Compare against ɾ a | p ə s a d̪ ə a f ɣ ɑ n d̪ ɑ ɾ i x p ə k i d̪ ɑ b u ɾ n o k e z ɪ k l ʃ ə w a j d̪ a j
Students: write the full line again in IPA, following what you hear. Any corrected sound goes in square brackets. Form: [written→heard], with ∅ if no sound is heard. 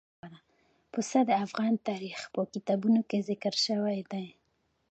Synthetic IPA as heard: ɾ a | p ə s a d̪ ə a f ɣ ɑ n [d̪→t̪] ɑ ɾ i x p ə k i [d̪→t̪] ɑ b u [ɾ→∅] n o k e z ɪ k [l→ɾ] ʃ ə w a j d̪ a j

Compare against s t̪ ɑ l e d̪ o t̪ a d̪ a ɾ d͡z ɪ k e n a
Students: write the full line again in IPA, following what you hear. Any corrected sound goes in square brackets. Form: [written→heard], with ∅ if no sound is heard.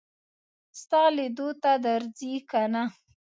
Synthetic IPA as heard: s t̪ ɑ l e d̪ o t̪ a d̪ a ɾ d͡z [ɪ→i] k [e→a] n a

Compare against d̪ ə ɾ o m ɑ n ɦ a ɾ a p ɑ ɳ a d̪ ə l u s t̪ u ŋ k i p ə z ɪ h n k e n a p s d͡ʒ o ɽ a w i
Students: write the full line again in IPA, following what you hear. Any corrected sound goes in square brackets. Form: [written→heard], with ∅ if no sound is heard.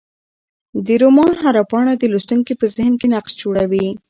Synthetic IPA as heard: d̪ ə ɾ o m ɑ n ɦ a ɾ a p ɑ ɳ a d̪ ə l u s t̪ u ŋ k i p ə z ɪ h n k e n a [p→q] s d͡ʒ o ɽ a w i

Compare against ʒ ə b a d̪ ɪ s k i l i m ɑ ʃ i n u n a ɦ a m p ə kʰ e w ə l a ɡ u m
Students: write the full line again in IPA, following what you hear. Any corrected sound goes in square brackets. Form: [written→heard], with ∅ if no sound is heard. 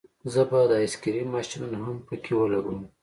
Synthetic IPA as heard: [ʒ→z] ə b a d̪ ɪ s k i [l→ɾ] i m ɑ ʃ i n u n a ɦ a m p ə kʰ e w ə l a ɡ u m

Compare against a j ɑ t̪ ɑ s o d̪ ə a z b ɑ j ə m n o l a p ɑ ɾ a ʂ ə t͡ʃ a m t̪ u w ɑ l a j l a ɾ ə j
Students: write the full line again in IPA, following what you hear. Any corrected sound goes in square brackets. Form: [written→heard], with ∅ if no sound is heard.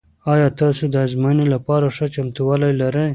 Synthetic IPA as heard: [a→ɑ] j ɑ t̪ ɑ s o d̪ ə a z [b→m] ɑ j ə [m→∅] n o l a p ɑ ɾ a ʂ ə t͡ʃ a m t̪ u w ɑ l a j l a ɾ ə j

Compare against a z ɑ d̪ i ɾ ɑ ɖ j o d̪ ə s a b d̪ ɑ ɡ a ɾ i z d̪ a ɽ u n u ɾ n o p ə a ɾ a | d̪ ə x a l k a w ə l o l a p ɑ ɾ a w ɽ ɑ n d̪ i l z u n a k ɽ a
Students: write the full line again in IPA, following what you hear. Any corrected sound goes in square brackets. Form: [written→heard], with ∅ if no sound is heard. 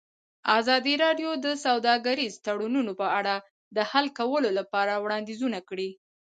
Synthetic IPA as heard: a z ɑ d̪ i ɾ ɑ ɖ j o d̪ ə s a [b→w] d̪ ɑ ɡ a ɾ i z [d̪→t̪] a ɽ u n u [ɾ→∅] n o p ə a [ɾ→ɽ] a | d̪ ə [x→h] a l k a w ə l o l a p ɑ ɾ a w ɽ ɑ n d̪ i [l→∅] z u n a k ɽ [a→i]

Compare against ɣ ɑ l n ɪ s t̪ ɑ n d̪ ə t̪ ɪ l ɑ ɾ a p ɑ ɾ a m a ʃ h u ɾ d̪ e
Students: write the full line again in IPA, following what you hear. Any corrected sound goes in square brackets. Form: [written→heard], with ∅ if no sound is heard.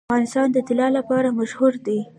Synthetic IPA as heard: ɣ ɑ [l→∅] n ɪ s t̪ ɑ n d̪ ə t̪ ɪ l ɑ [ɾ→l] a p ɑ ɾ a m a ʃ h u ɾ d̪ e

